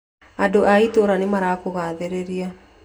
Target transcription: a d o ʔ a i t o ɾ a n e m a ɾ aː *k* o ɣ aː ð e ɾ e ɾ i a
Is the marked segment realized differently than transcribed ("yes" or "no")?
no